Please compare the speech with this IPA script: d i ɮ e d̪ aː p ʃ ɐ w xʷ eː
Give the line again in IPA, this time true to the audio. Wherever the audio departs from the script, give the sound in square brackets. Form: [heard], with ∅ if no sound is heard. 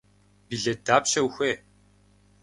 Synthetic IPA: [b] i ɮ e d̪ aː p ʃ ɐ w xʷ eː